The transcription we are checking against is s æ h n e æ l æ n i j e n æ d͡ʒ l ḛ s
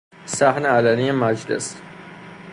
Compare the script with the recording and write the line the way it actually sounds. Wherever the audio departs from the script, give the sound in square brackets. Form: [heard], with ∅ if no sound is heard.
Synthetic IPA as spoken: s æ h n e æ l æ n i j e [m] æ d͡ʒ l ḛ s